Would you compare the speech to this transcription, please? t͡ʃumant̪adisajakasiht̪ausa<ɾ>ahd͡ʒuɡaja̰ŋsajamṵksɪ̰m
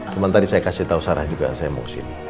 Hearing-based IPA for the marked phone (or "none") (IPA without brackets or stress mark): ɾ